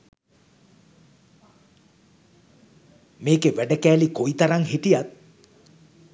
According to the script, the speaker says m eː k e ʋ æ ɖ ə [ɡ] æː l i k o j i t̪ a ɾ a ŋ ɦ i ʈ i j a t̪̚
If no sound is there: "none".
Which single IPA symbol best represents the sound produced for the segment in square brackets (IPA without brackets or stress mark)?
k